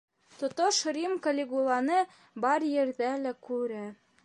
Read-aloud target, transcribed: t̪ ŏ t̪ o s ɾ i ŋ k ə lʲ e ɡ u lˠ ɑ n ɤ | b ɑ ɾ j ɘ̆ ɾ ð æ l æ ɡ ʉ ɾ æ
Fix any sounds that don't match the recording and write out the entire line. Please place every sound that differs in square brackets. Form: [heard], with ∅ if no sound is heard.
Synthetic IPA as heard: t̪ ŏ t̪ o [ʃ] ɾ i [m] k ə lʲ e ɡ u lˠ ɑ n ɤ | b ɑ ɾ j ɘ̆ ɾ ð æ l æ [k] ʉ ɾ æ